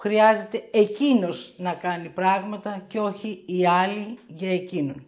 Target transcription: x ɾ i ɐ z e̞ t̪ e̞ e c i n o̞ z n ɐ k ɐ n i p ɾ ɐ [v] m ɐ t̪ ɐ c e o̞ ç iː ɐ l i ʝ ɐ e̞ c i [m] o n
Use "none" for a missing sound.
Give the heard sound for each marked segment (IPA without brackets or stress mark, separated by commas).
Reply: ɣ, n